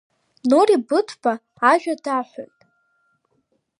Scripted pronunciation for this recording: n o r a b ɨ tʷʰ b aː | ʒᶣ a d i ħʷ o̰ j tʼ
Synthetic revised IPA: n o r i b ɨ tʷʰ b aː | ʒᶣ a d a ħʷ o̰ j tʼ